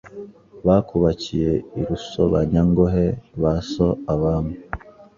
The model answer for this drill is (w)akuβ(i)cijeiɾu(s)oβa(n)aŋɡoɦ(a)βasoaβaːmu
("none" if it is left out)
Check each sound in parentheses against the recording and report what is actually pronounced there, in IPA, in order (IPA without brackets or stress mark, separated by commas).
β, a, s, ɲ, e